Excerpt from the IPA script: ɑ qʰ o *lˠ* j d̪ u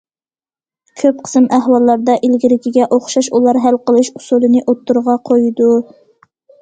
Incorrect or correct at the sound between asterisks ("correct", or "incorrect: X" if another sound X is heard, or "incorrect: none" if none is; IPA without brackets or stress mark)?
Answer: incorrect: none